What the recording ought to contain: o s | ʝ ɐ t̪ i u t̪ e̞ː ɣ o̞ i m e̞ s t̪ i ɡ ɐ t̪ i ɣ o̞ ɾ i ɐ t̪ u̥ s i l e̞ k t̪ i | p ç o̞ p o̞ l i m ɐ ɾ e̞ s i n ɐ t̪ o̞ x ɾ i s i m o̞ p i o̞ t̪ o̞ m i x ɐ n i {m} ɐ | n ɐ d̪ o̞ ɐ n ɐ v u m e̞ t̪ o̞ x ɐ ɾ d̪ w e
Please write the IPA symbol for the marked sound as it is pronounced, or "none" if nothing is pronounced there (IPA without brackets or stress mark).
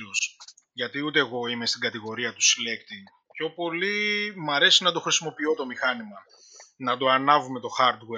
m